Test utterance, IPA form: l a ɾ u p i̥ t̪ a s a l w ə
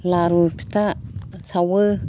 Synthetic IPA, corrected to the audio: l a ɾ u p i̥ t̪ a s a w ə